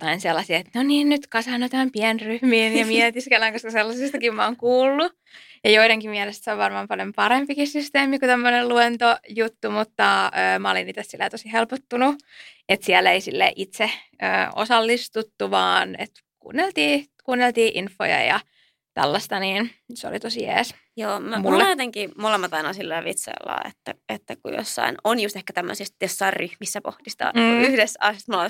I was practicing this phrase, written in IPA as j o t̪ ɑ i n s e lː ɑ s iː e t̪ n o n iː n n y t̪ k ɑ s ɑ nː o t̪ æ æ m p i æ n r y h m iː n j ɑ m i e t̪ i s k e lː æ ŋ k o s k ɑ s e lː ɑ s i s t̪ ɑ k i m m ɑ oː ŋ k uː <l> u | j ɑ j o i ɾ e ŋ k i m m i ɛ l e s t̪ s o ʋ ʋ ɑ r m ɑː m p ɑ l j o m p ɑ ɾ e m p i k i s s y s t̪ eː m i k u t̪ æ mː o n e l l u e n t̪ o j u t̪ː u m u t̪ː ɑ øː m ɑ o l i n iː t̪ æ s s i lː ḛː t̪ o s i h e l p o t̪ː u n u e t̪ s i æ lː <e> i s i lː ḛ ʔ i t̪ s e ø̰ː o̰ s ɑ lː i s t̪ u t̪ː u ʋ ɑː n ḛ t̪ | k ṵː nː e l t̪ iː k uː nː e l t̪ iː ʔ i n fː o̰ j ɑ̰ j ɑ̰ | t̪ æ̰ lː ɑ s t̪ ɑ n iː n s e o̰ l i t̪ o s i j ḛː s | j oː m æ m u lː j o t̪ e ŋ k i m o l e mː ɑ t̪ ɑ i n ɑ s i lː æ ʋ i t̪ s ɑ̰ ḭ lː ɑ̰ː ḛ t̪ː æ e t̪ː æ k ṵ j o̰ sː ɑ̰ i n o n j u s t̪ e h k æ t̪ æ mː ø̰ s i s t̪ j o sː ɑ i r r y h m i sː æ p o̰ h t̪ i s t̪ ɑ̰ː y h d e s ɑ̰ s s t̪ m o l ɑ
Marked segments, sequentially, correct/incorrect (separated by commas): incorrect, correct